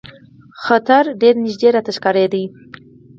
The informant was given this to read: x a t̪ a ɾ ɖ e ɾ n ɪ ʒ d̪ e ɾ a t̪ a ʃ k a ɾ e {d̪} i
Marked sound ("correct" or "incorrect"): correct